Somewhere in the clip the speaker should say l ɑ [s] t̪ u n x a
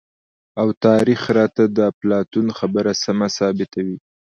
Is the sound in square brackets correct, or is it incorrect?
incorrect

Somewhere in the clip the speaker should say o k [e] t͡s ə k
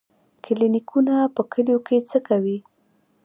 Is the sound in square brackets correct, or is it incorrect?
correct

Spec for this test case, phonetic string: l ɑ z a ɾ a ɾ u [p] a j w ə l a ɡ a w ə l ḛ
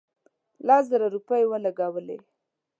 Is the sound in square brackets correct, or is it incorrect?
correct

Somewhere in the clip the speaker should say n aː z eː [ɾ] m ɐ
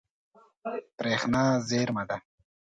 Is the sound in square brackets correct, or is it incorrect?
correct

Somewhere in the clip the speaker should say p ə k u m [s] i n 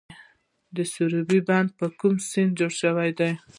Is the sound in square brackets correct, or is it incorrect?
correct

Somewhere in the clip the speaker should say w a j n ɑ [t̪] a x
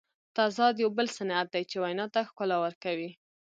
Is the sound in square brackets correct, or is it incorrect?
correct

